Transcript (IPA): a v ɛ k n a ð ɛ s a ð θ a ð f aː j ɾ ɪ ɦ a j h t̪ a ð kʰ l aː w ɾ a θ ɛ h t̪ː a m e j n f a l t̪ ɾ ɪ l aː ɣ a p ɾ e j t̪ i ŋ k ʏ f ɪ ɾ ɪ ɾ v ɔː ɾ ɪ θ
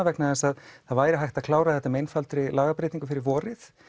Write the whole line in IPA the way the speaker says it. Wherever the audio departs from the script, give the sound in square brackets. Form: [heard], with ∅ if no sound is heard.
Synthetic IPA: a v ɛ k n a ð ɛ s a ð θ a ð [v] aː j ɾ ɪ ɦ a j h t̪ a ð kʰ l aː w ɾ a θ ɛ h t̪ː a m e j n f a l t̪ ɾ ɪ l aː ɣ a p ɾ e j t̪ i ŋ k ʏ f ɪ ɾ ɪ ɾ v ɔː ɾ ɪ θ

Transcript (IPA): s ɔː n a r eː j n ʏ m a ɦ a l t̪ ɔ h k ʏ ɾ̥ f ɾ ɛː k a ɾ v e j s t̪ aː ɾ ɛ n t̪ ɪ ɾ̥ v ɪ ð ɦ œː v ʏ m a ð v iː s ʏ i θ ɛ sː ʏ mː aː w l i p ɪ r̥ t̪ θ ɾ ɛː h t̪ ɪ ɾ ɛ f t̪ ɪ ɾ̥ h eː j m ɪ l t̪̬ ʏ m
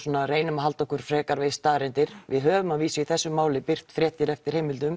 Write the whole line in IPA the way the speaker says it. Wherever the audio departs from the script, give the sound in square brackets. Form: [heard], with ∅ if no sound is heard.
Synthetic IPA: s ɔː n a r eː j n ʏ m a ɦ a l t̪ ɔ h k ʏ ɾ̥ f ɾ ɛː k a ɾ v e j s t̪ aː ɾ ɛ n t̪ ɪ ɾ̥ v ɪ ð ɦ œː v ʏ m a ð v iː s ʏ i θ ɛ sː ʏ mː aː w l [ɪ] p ɪ r̥ t̪ [f] ɾ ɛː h t̪ ɪ ɾ ɛ f t̪ ɪ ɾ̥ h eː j m ɪ l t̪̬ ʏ m

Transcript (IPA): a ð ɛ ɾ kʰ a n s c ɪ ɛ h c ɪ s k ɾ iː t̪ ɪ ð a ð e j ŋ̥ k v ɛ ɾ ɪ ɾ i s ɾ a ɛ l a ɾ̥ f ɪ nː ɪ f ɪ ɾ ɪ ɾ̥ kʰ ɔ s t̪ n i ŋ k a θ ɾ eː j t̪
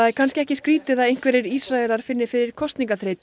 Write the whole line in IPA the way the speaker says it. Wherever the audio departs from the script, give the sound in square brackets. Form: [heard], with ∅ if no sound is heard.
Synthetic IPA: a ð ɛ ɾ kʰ a n s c ɪ ɛ h c ɪ s k ɾ iː t̪ ɪ ð a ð e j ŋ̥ k v ɛ ɾ ɪ ɾ i s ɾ a ɛ l a ɾ̥ f ɪ nː ɪ f ɪ ɾ ɪ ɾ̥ kʰ ɔ s t̪ n i ŋ k a θ ɾ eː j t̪

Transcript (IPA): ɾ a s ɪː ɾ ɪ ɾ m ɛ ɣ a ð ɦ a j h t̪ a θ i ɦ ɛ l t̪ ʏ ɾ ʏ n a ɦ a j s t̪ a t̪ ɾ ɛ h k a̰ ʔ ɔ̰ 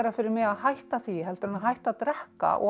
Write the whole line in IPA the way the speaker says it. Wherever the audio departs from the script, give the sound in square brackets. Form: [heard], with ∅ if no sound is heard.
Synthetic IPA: ɾ a [f] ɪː ɾ ɪ ɾ m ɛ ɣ a ð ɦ a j h t̪ a θ i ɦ ɛ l t̪ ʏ ɾ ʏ n a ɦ a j [h] t̪ a t̪ ɾ ɛ h k a̰ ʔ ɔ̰

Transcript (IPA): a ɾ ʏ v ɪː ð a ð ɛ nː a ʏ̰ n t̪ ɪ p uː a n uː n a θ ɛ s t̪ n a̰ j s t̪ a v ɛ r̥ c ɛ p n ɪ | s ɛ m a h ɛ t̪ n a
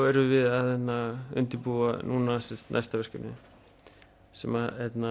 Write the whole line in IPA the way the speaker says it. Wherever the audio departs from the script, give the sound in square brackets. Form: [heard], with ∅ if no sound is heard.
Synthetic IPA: [ɛ] ɾ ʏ v [ɪ] ð a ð ɛ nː a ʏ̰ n t̪ ɪ p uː a n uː n a [s] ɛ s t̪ n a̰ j s t̪ a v ɛ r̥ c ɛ p n ɪ | s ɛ m a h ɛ t̪ n a

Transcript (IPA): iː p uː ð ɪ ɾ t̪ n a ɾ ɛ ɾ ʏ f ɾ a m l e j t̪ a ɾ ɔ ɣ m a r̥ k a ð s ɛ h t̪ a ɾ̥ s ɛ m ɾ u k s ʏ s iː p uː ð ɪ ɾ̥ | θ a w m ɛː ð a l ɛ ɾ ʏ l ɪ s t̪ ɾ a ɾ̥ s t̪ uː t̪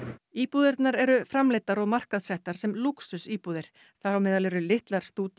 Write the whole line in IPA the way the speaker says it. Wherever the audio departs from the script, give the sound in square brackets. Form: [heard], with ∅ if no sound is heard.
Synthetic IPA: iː p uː ð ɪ ɾ t̪ n a ɾ ɛ ɾ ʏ f ɾ a m l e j t̪ a ɾ ɔ ɣ m a r̥ k a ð s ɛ h t̪ a ɾ̥ s ɛ m [l] u k s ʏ s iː p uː ð ɪ ɾ̥ | θ a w m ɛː ð a l ɛ ɾ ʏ l ɪ [h] t̪ [l] a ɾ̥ s t̪ uː t̪

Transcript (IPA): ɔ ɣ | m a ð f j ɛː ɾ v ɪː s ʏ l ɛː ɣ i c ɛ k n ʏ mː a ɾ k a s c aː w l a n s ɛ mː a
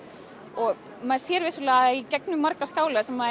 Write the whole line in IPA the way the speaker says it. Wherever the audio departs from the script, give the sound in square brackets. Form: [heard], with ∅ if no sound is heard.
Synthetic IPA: ɔ ɣ | m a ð [s] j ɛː ɾ v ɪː s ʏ l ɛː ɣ i c ɛ k n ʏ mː a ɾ k a s [k] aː w l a [∅] s ɛ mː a

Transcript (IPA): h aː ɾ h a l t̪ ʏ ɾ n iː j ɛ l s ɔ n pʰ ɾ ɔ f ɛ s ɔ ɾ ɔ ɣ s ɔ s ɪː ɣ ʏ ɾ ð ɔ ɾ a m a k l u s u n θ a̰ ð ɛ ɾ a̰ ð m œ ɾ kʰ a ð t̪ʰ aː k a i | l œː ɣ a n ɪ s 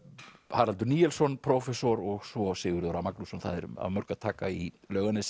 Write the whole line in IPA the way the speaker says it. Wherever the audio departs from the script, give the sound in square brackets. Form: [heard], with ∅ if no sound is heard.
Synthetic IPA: h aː ɾ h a l t̪ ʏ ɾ n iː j ɛ l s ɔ n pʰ ɾ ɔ f ɛ s ɔ ɾ ɔ ɣ s ɔ s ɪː ɣ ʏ ɾ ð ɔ ɾ a m a k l u s [ɔ] n θ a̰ ð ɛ ɾ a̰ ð m œ ɾ [k] a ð t̪ʰ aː k a i | l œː ɣ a n ɪ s

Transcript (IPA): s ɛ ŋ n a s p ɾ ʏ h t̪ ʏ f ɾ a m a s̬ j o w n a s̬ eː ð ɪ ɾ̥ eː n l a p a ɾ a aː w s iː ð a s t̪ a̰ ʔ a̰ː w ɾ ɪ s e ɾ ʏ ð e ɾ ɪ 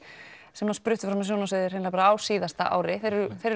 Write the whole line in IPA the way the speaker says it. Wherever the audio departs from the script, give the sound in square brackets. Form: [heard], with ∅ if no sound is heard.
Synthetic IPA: s ɛ [m] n a s p ɾ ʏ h t̪ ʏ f ɾ a m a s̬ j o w n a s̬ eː ð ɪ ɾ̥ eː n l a p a ɾ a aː w s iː ð a s t̪ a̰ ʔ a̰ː w ɾ ɪ [θ] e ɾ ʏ [θ] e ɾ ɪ

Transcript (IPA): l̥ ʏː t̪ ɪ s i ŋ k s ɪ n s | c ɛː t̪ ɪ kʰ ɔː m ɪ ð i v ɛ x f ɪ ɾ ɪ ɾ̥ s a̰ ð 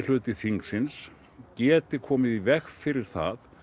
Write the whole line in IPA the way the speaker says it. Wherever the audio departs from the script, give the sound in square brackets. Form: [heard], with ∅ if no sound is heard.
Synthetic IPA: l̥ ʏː t̪ ɪ [θ] i ŋ k s ɪ n s | c ɛː t̪ ɪ kʰ ɔː m ɪ ð i v ɛ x f ɪ ɾ ɪ ɾ̥ [θ] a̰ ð

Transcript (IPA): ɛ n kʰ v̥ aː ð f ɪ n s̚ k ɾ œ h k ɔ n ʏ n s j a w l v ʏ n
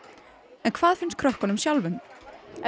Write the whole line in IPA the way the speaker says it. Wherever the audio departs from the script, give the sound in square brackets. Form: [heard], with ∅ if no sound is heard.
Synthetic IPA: ɛ n kʰ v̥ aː ð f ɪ n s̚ [kʰ] ɾ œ h k ɔ n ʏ [m] s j a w l v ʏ [m]

